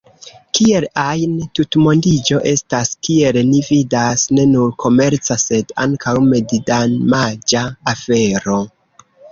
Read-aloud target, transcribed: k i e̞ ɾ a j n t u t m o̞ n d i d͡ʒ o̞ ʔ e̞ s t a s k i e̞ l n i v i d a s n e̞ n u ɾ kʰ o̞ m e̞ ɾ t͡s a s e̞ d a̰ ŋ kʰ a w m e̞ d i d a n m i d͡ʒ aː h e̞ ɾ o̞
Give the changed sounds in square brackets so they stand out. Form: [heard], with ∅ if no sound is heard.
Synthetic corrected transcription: k i e̞ [l] a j n t u t m o̞ n d i d͡ʒ o̞ ʔ e̞ s t a s k i e̞ l n i v i d a s n e̞ n u ɾ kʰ o̞ m e̞ ɾ t͡s a s e̞ d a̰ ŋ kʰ a w m e̞ d i d a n m [a] d͡ʒ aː [f] e̞ ɾ o̞

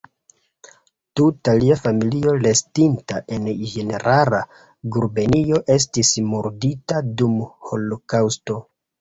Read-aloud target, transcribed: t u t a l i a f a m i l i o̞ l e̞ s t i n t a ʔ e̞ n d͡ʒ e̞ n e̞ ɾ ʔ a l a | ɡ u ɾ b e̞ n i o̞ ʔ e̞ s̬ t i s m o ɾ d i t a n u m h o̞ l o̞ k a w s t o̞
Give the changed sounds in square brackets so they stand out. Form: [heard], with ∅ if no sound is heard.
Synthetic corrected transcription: t u t a l i a f a m i l i o̞ l e̞ s t i n t a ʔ e̞ n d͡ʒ e̞ n e̞ ɾ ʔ a l a | ɡ u ɾ b e̞ n i o̞ ʔ e̞ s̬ t i s m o ɾ d i t a [d] u m h o̞ l o̞ k a w s t o̞

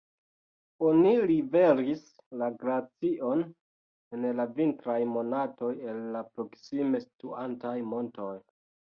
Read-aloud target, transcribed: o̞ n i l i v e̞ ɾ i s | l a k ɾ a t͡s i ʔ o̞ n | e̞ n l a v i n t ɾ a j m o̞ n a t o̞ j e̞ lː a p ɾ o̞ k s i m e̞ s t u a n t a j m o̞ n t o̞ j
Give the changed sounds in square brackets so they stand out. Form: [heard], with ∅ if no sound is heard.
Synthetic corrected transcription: o̞ n i l i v e̞ ɾ i s | l a [ɡ] ɾ a t͡s i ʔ o̞ n | e̞ n l a v i n t ɾ a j m o̞ n a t o̞ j e̞ lː a p ɾ o̞ k s i m e̞ s t u a n t a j m o̞ n t o̞ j

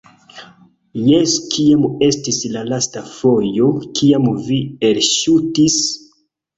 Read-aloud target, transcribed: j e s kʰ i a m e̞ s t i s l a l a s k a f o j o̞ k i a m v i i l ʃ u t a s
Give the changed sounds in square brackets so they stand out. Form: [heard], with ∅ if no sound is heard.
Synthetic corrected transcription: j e s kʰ i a m e̞ s t i s l a l a s [t] a f o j o̞ k i a m v i [e] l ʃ u t [i] s

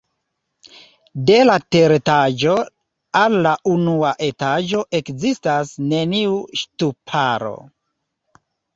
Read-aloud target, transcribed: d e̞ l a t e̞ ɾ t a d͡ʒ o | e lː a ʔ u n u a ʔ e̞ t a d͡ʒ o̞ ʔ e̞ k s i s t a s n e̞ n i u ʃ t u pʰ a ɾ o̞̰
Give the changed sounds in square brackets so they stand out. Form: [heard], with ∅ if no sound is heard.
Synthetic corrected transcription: d e̞ l a t e̞ ɾ t a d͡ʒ o | [a] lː a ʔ u n u a ʔ e̞ t a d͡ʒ o̞ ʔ e̞ k [z] i s t a s n e̞ n i u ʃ t u pʰ a ɾ o̞̰

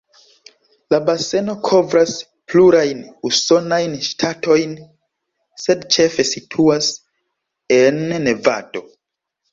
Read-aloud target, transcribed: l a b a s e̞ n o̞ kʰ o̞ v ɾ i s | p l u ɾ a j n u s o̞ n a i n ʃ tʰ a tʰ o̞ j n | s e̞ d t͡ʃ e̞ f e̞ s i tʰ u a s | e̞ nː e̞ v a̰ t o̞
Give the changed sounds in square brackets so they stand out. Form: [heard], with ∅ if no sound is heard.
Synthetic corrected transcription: l a b a s e̞ n o̞ kʰ o̞ v ɾ [a] s | p l u ɾ a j n u s o̞ n a [j] n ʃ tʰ a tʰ o̞ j n | s e̞ d t͡ʃ e̞ f e̞ s i tʰ u a s | e̞ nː e̞ v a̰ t o̞

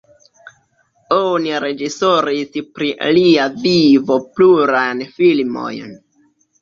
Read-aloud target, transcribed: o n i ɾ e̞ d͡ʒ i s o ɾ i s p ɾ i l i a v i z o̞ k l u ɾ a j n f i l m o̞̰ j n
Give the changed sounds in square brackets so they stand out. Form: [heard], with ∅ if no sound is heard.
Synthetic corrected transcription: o n i ɾ e̞ d͡ʒ i s o ɾ i s p ɾ i l i a v i [v] o̞ [p] l u ɾ a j n f i l m o̞̰ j n

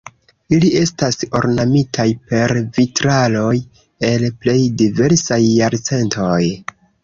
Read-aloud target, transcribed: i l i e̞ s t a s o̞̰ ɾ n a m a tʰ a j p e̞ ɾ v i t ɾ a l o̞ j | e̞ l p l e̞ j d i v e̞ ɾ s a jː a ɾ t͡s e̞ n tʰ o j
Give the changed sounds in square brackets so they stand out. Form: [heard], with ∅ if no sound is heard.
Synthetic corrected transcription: i l i e̞ s t a s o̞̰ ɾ n a m [i] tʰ a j p e̞ ɾ v i t ɾ a l o̞ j | e̞ l p l e̞ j d i v e̞ ɾ s a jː a ɾ t͡s e̞ n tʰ o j

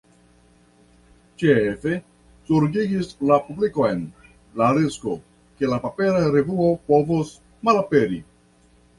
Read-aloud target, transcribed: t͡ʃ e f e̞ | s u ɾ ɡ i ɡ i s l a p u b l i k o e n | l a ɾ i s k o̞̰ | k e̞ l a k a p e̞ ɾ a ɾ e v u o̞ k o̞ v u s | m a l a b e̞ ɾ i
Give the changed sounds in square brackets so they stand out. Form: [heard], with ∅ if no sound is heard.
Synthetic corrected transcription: t͡ʃ e f e̞ | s u ɾ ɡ i ɡ i s l a p u b l i k o e n | l a ɾ i s k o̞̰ | k e̞ l a [p] a p e̞ ɾ a ɾ e v u o̞ [p] o̞ v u s | m a l a [p] e̞ ɾ i

